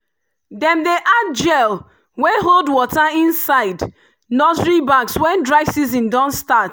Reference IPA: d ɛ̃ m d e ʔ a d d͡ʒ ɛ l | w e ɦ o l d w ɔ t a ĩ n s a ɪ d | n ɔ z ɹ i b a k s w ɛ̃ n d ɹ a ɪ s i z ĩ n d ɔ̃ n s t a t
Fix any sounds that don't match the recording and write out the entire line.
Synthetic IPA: d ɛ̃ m d e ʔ a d d͡ʒ ɛ l | w e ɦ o l d w ɔ t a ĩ n s a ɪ d | n ɔ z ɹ i b a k s w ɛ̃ n d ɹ a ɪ s i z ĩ n d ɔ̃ n s t a t